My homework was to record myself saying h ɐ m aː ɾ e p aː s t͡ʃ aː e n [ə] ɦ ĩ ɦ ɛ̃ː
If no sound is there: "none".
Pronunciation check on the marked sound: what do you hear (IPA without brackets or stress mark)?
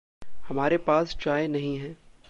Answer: ɐ